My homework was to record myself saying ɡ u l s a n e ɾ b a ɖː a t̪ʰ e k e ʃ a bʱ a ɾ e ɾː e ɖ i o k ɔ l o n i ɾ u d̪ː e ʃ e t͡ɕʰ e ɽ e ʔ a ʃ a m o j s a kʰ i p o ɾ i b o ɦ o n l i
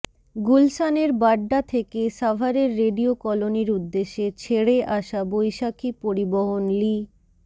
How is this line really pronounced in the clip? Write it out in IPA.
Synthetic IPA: ɡ u l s a n e ɾ b a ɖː a t̪ʰ e k e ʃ a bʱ a ɾ e ɾː e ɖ i o k ɔ l o n i ɾ u d̪ː e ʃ e t͡ɕʰ e ɽ e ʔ a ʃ a b o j ʃ a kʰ i p o ɾ i b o ɦ o n l i

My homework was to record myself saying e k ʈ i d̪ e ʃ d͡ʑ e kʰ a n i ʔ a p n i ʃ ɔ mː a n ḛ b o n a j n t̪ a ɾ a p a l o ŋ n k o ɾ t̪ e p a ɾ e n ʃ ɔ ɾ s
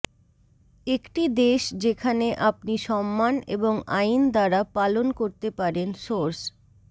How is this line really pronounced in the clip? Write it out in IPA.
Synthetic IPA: e k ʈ i d̪ e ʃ d͡ʑ e kʰ a n e ʔ a p n i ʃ ɔ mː a n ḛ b o ŋ a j n d̪ a ɾ a p a l o n k o ɾ t̪ e p a ɾ e n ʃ o ɾ s

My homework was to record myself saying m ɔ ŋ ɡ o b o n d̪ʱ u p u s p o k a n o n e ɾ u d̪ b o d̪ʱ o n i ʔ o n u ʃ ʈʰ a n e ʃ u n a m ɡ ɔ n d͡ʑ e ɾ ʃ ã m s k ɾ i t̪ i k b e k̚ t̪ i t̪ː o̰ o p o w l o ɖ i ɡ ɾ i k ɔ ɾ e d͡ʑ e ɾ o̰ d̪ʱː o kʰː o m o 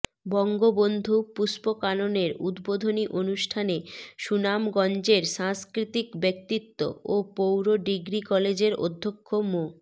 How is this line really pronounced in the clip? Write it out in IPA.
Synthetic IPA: b ɔ ŋ ɡ o b o n d̪ʱ u p u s p o k a n o n e ɾ u d̪ b o d̪ʱ o n i ʔ o n u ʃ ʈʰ a n e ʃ u n a m ɡ ɔ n d͡ʑ e ɾ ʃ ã ŋ s k ɾ i t̪ i k b e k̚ t̪ i t̪ː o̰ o p o w ɾ o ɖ i ɡ ɾ i k ɔ l e d͡ʑ e ɾ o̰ d̪ʱː o kʰː o m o

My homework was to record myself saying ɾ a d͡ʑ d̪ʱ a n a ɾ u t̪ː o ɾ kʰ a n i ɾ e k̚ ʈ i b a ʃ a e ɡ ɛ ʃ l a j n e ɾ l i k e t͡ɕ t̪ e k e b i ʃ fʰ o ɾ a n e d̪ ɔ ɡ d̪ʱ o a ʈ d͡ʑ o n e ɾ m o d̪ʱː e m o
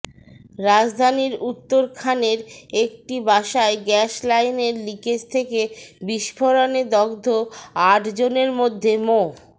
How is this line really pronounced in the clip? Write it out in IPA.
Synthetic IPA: ɾ a d͡ʑ d̪ʱ a n i ɾ u t̪ː o ɾ kʰ a n e ɾ e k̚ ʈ i b a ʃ a e ɡ ɛ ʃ l a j n e ɾ l i k e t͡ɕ t̪ʰ e k e b i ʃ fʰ o ɾ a n e d̪ ɔ ɡ d̪ʱ o a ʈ d͡ʑ o n e ɾ m o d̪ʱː e m o

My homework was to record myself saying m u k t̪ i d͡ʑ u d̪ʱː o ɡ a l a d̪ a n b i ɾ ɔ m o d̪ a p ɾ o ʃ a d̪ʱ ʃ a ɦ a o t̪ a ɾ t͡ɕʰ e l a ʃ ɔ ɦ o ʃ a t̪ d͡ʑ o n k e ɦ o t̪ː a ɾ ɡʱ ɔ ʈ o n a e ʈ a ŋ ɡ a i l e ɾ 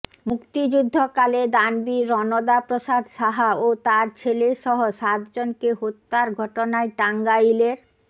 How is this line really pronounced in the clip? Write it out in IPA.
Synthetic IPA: m u k t̪ i d͡ʑ u d̪ʱː o k a l e d̪ a n b i ɾ ɔ n o d̪ a p ɾ o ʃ a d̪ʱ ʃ a ɦ a o t̪ a ɾ t͡ɕʰ e l e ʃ ɔ ɦ o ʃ a t̪ d͡ʑ o n k e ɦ o t̪ː a ɾ ɡʱ ɔ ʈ o n a e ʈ a ŋ ɡ a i l e ɾ

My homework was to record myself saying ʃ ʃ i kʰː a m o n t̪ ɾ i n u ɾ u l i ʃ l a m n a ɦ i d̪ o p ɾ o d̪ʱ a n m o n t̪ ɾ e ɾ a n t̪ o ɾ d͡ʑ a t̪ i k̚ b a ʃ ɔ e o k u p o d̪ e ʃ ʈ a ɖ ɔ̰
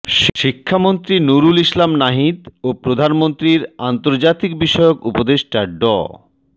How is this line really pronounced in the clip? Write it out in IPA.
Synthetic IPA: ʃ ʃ i kʰː a m o n t̪ ɾ i n u ɾ u l i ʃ l a m n a ɦ i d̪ o p ɾ o d̪ʱ a n m o n t̪ ɾ i ɾ a n t̪ o ɾ d͡ʑ a t̪ i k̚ b i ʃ ɔ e o k u p o d̪ e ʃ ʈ a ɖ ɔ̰

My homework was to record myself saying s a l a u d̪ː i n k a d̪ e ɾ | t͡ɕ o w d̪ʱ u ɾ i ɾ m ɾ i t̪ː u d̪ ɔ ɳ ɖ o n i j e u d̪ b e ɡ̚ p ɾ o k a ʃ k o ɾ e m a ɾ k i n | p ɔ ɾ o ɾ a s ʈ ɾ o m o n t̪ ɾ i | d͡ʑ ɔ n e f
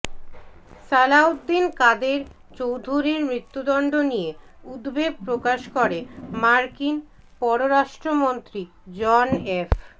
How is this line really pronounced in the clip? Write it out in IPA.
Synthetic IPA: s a l a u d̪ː i n k a d̪ e ɾ | t͡ɕ o w d̪ʱ u ɾ i ɾ m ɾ i t̪ː u d̪ ɔ ɳ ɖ o n i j e u d̪ b e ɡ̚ p ɾ o k a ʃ k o ɾ e m a ɾ k i n | p ɔ ɾ o ɾ a ʃ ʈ ɾ o m o n t̪ ɾ i | d͡ʑ ɔ n e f

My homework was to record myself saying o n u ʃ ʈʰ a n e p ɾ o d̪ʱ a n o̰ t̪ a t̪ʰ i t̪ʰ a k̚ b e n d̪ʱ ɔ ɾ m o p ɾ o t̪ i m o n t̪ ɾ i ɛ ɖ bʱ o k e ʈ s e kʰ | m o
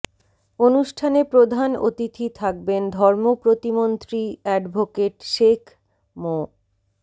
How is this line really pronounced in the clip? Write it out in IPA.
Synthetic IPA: o n u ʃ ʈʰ a n e p ɾ o d̪ʱ a n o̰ t̪ i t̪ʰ i t̪ʰ a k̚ b e n d̪ʱ ɔ ɾ m o p ɾ o t̪ i m o n t̪ ɾ i ɛ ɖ bʱ o k e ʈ ʃ e kʰ | m o

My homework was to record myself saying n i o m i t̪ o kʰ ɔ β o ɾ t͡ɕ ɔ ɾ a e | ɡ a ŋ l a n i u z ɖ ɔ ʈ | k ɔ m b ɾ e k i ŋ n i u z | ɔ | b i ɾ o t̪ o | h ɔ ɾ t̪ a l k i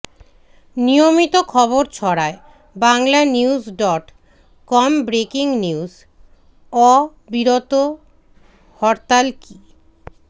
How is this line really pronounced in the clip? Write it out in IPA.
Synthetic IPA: n i o m i t̪ o kʰ ɔ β o ɾ t͡ɕʰ ɔ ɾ a e | b a ŋ l a n i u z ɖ ɔ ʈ | k ɔ m b ɾ e k i ŋ n i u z | ɔ | b i ɾ o t̪ o | h ɔ ɾ t̪ a l k i

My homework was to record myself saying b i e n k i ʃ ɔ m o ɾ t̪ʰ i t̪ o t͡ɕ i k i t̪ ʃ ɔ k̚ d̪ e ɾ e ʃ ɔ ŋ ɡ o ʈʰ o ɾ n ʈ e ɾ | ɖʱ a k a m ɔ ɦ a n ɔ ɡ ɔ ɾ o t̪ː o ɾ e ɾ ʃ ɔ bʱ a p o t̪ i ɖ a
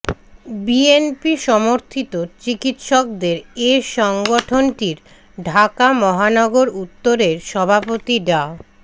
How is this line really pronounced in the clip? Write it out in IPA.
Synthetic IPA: b i e n p i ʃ ɔ m o ɾ t̪ʰ i t̪ o t͡ɕ i k i t̪ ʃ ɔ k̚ d̪ e ɾ e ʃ ɔ ŋ ɡ o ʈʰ o n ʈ i ɾ | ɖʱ a k a m ɔ ɦ a n ɔ ɡ o ɾ u t̪ː o ɾ e ɾ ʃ ɔ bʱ a p o t̪ i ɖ a

